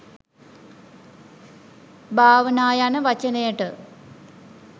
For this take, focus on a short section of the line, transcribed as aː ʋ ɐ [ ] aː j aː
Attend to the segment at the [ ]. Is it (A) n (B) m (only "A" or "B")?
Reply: A